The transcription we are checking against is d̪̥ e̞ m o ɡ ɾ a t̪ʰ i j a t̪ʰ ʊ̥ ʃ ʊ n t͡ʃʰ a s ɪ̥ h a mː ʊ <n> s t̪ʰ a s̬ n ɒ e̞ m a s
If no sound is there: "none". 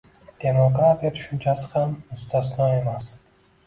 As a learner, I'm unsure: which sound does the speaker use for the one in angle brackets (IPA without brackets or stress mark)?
none